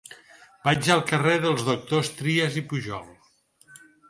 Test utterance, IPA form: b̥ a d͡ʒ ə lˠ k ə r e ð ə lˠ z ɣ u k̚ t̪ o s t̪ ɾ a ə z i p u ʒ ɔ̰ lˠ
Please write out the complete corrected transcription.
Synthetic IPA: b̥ a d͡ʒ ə lˠ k ə r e ð ə lˠ z ð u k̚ t̪ o s t̪ ɾ i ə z i p u ʒ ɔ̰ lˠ